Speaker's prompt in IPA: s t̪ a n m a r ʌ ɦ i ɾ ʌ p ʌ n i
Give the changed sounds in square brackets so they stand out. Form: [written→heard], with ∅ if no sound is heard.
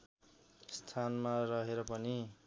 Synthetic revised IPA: s [t̪→t̪ʰ] a n m a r ʌ ɦ [i→e] ɾ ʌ p ʌ n i